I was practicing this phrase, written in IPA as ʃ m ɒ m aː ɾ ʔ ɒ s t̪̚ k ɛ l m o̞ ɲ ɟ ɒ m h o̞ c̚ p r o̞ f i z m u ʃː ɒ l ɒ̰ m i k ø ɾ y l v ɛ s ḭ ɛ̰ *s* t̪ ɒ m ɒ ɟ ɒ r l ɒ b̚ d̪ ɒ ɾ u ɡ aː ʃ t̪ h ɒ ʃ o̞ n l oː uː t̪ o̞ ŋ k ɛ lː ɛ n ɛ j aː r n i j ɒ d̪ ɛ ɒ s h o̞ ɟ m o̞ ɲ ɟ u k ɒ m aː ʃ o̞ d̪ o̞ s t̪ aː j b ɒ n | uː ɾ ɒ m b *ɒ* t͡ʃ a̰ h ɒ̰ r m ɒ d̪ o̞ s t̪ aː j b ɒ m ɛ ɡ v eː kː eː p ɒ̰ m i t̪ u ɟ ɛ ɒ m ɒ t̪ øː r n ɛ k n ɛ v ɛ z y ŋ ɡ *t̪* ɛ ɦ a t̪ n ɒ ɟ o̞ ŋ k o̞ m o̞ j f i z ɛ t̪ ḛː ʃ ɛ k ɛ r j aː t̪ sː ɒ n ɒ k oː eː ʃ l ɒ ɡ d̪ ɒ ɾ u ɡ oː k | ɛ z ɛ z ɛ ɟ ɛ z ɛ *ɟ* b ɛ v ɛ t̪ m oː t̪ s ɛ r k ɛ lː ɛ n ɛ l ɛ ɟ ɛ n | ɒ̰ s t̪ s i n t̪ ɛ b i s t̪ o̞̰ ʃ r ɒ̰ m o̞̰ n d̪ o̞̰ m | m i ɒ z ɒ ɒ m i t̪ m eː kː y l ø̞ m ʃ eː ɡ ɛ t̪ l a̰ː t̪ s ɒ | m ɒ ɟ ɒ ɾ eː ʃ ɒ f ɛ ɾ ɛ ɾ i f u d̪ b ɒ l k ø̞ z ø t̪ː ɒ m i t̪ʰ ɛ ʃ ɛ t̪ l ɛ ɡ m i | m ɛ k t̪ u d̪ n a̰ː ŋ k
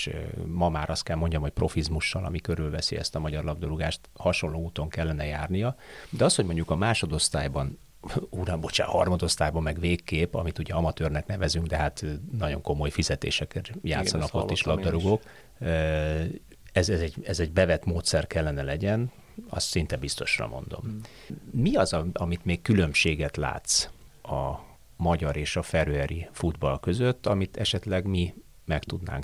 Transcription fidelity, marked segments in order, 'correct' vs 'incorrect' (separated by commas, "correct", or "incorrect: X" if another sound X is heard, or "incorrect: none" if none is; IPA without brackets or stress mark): correct, incorrect: o, incorrect: d̪, correct